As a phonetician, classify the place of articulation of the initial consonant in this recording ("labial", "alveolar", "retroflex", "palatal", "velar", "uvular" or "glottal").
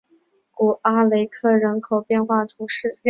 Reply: velar